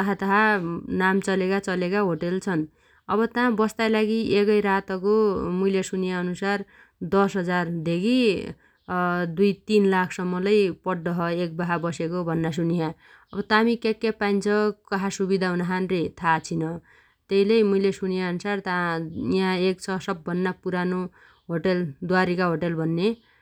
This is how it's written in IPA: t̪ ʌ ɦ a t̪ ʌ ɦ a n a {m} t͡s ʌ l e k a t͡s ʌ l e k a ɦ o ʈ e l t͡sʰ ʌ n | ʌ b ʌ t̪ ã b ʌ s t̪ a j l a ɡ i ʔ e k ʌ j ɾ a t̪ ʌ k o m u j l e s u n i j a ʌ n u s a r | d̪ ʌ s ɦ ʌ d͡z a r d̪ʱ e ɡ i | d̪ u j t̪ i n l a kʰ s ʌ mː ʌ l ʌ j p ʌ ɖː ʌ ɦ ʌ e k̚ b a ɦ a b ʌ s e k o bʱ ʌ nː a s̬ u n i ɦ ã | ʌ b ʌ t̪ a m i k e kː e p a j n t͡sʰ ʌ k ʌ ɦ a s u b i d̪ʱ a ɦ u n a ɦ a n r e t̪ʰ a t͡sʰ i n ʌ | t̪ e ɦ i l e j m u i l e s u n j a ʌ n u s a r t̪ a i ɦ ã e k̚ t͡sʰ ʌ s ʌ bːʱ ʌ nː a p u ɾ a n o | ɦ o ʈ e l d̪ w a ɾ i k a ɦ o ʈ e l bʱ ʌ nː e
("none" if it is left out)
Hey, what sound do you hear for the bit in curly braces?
m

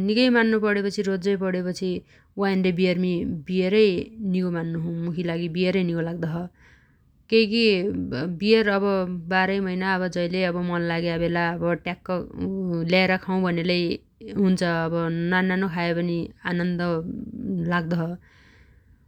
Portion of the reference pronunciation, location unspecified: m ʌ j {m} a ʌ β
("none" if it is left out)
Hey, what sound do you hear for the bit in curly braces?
n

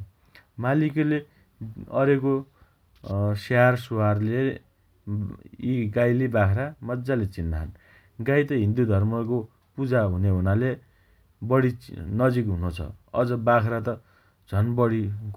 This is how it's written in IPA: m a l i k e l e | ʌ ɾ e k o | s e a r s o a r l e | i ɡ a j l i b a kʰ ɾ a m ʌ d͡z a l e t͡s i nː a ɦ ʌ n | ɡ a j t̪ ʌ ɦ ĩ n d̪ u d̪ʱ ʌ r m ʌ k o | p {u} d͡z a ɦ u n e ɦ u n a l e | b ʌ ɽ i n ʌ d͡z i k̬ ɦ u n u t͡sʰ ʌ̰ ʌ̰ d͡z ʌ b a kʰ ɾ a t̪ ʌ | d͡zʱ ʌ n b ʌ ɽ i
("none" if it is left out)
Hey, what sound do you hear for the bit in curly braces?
u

